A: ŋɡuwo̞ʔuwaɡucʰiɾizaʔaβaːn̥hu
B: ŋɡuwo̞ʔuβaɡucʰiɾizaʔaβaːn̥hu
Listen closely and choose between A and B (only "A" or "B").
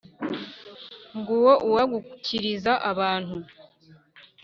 A